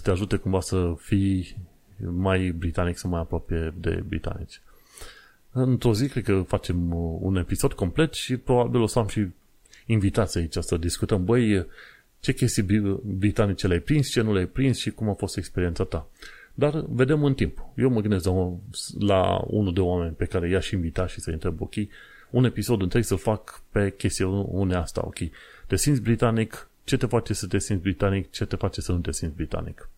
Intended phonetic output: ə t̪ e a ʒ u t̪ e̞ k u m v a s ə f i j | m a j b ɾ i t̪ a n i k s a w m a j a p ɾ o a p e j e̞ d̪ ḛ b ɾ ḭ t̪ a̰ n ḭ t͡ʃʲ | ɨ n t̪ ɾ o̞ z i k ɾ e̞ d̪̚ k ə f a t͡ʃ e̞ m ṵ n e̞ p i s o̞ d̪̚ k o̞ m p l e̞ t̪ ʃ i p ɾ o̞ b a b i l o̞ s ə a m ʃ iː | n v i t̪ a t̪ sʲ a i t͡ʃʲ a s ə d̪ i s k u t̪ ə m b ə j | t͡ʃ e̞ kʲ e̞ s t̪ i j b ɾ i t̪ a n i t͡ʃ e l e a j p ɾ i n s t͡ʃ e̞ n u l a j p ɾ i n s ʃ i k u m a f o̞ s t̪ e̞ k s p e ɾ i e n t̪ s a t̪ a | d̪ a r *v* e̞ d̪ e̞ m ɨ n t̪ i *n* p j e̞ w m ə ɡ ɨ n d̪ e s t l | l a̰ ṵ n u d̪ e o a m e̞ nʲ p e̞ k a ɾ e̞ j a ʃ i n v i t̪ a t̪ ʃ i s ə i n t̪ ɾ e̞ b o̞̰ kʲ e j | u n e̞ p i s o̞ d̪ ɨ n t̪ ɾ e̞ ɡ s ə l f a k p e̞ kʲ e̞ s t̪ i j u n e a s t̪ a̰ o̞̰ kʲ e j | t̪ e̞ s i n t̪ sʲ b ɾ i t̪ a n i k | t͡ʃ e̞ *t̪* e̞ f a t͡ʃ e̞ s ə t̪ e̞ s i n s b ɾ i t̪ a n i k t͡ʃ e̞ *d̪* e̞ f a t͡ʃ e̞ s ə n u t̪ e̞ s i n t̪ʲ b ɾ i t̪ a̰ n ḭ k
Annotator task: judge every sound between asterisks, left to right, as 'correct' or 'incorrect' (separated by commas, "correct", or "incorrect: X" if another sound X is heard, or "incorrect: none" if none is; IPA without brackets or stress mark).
correct, incorrect: m, correct, incorrect: t̪